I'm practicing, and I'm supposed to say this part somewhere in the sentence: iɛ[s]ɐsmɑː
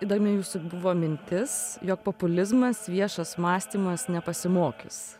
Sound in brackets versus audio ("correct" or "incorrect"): incorrect